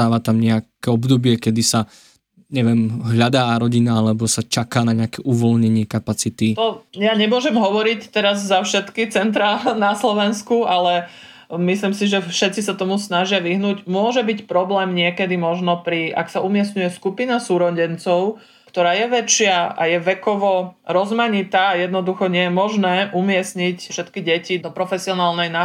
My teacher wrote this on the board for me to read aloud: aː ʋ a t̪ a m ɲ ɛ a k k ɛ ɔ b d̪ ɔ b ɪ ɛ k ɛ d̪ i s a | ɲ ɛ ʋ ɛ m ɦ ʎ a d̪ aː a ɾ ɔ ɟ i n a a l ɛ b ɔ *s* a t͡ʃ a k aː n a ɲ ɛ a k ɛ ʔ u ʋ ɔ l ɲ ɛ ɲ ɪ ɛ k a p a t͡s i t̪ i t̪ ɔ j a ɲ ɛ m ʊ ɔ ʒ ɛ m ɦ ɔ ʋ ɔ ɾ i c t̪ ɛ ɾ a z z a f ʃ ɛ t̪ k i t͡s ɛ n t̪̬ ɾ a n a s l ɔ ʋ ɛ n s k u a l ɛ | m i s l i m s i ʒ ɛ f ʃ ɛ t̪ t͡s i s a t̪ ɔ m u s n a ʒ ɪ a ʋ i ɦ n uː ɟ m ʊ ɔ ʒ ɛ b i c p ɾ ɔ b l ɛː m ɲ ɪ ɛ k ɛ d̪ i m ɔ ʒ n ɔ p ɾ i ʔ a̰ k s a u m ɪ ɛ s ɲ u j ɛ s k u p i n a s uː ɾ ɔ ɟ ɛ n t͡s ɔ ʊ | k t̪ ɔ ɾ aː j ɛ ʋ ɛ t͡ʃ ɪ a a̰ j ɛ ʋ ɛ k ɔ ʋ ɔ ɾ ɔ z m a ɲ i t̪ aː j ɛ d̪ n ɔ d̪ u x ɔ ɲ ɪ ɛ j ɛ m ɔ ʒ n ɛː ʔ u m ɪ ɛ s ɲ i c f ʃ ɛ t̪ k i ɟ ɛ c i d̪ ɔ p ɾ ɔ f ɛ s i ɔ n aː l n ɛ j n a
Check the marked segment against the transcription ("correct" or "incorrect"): correct